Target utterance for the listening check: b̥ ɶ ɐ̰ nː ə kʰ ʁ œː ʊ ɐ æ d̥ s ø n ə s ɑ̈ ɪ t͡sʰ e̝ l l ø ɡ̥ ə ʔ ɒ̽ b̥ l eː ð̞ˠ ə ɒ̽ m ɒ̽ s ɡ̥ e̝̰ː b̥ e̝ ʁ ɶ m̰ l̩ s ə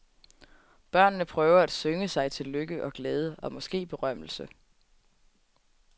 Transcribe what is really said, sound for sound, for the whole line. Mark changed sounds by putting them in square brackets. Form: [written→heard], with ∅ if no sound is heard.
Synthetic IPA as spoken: b̥ ɶ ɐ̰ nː ə [kʰ→pʰ] ʁ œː ʊ ɐ æ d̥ s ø [n→ŋ] ə s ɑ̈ ɪ t͡sʰ e̝ l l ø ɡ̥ ə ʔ ɒ̽ [b̥→ɡ̥] l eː ð̞ˠ ə ɒ̽ m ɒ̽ s ɡ̥ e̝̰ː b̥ e̝ ʁ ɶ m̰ l̩ s ə